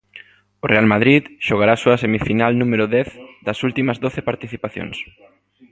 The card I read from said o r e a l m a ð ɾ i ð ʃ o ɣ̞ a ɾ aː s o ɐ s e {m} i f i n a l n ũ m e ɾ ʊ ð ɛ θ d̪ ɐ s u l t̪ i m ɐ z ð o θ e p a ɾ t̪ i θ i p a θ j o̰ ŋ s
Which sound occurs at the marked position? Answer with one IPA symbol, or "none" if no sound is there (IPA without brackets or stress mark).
m